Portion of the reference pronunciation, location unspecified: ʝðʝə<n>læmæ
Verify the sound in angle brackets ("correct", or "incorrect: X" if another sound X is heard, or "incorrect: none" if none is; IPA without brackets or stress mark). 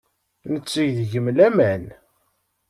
incorrect: m